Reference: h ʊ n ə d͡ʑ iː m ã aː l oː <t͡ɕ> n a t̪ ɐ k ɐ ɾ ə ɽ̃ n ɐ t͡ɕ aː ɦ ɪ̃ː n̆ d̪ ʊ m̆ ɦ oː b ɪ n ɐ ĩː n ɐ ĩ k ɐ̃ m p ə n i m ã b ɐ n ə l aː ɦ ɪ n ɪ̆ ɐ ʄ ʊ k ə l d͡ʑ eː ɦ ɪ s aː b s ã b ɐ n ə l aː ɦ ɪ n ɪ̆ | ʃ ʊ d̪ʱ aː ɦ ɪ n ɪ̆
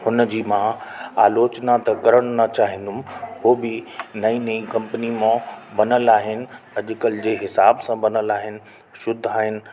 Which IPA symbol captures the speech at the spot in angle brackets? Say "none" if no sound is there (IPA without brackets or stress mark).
t͡ɕ